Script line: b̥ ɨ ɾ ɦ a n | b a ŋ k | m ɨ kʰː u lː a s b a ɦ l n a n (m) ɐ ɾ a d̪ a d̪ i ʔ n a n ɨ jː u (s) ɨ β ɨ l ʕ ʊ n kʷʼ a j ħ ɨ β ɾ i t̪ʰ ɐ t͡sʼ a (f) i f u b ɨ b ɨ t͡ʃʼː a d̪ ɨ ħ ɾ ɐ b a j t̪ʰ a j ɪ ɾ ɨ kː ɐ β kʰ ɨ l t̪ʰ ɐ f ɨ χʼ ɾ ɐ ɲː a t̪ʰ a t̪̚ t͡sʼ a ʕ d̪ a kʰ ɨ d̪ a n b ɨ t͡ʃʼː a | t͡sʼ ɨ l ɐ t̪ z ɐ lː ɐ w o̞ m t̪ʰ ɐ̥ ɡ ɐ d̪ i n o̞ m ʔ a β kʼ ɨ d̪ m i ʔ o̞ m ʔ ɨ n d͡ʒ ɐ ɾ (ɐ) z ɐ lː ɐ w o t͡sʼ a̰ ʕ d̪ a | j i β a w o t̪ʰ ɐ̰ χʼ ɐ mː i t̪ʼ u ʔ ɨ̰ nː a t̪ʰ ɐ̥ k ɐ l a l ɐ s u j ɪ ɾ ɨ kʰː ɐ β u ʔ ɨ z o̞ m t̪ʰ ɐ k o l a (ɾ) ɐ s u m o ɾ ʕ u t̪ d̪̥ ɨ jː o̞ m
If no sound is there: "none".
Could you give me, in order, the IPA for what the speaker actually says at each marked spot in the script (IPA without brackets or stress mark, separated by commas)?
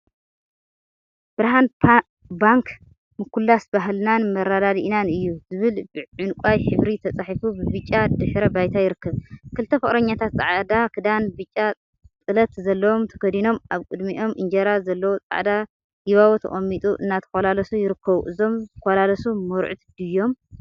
m, z, ħ, a, l